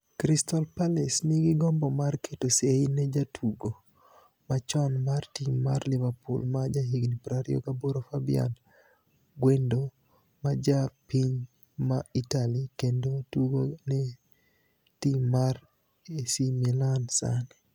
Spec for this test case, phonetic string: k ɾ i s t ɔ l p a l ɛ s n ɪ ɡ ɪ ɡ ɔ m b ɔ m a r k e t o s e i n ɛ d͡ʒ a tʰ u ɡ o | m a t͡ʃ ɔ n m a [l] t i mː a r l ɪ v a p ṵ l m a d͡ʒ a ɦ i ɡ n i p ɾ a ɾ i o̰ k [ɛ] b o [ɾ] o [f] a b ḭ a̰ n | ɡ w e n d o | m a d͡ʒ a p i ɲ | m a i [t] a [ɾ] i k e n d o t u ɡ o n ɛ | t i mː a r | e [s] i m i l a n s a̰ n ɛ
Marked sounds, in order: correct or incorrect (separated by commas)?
incorrect, incorrect, correct, correct, correct, incorrect, correct